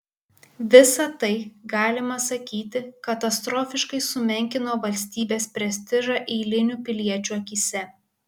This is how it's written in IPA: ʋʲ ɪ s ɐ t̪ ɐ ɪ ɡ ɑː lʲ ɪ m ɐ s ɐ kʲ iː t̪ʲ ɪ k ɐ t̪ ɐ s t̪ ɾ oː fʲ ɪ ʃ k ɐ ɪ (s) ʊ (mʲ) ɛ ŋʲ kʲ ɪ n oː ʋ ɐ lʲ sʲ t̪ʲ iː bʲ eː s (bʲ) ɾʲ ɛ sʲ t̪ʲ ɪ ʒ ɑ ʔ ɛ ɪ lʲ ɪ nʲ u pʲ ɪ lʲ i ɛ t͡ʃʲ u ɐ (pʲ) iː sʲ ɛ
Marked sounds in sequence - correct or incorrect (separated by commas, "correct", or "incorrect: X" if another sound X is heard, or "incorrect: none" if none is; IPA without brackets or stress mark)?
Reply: correct, correct, incorrect: pʲ, incorrect: kʲ